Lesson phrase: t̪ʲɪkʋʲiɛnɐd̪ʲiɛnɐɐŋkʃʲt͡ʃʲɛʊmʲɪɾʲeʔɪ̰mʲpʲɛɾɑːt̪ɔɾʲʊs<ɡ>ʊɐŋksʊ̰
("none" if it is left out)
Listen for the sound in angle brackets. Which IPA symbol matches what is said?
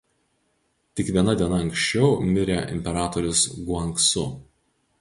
ɡ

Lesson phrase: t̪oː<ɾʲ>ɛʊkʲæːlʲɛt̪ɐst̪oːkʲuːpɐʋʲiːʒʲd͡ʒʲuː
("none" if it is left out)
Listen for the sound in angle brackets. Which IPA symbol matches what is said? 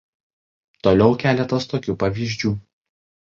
lʲ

